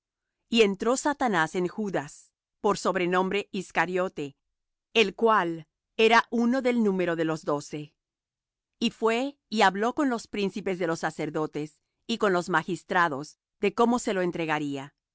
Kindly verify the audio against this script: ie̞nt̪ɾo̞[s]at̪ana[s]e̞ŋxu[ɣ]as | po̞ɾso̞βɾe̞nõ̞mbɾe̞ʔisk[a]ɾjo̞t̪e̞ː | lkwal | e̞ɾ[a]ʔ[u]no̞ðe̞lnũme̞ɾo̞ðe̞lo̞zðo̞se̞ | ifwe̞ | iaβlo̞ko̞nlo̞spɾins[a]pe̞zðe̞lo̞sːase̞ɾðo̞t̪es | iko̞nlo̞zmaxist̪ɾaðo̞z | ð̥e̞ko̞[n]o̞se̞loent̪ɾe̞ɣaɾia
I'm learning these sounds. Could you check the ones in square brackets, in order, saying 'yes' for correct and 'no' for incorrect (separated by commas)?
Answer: yes, yes, no, yes, yes, yes, no, no